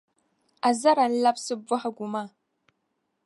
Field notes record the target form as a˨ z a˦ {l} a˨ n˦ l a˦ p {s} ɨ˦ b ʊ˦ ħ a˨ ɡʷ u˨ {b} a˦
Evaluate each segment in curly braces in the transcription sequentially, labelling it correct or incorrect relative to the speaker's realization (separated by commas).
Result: incorrect, correct, incorrect